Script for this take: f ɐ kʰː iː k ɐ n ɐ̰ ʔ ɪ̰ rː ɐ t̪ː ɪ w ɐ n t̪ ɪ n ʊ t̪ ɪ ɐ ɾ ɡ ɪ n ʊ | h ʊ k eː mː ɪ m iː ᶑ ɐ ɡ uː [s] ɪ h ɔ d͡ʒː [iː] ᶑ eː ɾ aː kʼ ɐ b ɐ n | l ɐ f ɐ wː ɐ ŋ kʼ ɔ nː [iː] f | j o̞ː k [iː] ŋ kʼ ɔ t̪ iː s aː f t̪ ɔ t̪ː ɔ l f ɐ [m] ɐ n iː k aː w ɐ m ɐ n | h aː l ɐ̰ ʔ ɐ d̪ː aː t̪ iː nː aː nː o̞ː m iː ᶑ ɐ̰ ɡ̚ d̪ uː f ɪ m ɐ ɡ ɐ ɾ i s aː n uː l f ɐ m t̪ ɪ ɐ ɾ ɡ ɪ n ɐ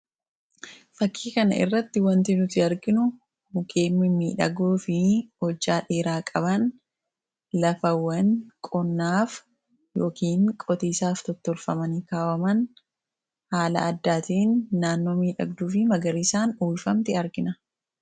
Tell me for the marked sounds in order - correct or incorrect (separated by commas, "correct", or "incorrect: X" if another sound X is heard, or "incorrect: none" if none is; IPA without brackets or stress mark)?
incorrect: f, incorrect: aː, incorrect: aː, correct, correct